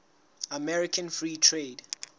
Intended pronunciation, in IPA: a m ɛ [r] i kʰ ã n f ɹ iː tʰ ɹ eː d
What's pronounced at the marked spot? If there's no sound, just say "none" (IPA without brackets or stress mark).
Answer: ɹ